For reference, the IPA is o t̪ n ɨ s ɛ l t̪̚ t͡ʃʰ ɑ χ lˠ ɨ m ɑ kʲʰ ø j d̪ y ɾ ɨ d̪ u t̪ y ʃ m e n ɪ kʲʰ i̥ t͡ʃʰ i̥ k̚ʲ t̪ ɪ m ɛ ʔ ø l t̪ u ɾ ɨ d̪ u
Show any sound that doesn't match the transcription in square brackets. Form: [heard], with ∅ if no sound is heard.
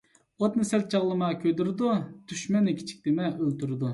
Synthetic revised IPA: o t̪ n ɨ s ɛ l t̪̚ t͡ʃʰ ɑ [ʁ] lˠ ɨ m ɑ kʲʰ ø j d̪ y ɾ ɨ d̪ u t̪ y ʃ m [ɛ] n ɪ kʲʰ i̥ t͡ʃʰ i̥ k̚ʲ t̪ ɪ m ɛ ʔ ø l t̪ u ɾ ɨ d̪ u